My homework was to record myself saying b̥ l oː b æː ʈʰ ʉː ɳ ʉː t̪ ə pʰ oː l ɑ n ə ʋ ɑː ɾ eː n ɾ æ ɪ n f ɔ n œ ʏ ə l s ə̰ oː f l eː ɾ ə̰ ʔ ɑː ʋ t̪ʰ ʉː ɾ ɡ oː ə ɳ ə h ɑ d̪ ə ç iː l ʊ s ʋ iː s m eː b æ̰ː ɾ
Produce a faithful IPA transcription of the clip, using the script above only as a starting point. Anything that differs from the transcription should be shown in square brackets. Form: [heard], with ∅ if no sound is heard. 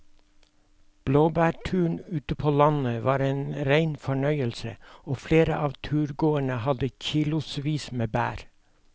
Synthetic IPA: b̥ l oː b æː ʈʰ ʉː ɳ ʉː t̪ ə pʰ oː l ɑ n ə ʋ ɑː ɾ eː n ɾ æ ɪ n f ɔ [ɳ] œ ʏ ə l s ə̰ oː f l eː ɾ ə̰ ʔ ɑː ʋ t̪ʰ ʉː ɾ ɡ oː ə ɳ ə h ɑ d̪ ə ç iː l ʊ s ʋ iː s m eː b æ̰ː ɾ